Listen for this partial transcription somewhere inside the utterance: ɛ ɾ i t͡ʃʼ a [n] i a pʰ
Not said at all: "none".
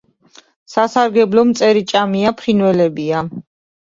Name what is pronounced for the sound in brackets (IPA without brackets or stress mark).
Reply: m